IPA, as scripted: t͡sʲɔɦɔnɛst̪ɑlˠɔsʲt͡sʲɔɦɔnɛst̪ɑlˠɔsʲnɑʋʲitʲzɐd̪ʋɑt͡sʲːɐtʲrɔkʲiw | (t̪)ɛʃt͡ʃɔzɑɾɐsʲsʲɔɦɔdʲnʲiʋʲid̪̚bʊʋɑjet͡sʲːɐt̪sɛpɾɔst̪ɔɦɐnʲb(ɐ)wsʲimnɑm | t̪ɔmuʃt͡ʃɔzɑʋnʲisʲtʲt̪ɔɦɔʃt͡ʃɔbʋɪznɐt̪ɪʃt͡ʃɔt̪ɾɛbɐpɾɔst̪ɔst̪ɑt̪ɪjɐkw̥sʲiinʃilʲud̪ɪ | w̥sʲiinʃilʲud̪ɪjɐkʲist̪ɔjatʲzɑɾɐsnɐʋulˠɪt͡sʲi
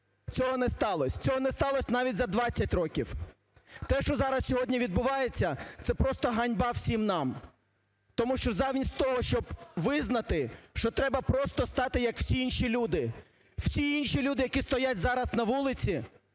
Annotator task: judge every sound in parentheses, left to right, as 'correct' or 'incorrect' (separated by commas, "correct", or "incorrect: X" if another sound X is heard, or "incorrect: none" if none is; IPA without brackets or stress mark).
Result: correct, incorrect: ɑ